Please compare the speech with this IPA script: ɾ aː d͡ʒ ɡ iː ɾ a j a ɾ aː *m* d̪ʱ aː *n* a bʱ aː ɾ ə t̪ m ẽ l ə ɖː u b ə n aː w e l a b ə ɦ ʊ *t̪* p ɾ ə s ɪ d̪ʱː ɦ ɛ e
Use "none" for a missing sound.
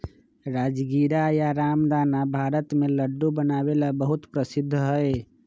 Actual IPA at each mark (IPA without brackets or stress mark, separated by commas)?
m, n, t̪